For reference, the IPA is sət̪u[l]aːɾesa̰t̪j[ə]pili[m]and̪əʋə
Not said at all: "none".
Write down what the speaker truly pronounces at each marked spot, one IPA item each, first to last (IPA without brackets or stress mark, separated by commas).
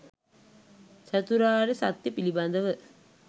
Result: ɾ, ə, b